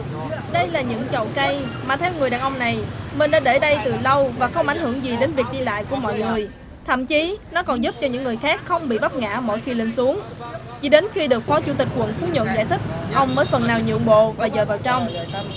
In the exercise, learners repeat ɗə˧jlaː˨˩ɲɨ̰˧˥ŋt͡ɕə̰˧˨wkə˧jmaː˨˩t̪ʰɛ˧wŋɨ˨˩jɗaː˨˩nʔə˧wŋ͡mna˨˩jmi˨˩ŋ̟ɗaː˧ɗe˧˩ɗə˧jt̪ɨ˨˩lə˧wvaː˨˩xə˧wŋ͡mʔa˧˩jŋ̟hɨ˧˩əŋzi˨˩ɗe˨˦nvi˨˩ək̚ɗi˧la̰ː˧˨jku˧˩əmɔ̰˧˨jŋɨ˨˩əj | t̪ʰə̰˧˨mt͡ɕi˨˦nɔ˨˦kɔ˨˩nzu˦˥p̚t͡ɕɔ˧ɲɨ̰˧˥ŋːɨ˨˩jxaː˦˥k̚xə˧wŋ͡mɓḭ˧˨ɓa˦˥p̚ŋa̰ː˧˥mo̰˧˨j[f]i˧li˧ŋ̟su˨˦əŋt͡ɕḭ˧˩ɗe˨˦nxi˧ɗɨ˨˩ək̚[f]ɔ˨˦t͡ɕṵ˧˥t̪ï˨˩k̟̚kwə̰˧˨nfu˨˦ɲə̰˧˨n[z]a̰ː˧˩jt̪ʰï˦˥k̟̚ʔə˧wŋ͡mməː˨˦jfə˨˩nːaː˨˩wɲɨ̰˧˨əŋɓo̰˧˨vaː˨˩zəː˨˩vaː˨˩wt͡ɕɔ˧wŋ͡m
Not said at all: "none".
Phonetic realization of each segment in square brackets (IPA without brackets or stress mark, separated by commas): x, f, z